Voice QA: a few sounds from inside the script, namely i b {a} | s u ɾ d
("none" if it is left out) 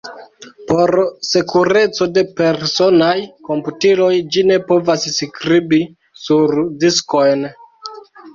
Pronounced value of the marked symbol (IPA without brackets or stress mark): i